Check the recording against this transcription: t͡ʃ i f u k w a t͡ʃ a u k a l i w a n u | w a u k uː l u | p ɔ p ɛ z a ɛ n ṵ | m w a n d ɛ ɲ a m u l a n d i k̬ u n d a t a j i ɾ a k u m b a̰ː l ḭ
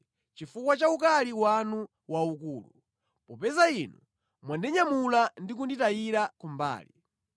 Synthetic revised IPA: t͡ʃ i f u k w a t͡ʃ a u k a l i w a n u | w a u k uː l u | p ɔ p ɛ z a i n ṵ | m w a n d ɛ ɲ a m u l a n d i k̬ u n d i t a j i ɾ a k u m b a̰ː l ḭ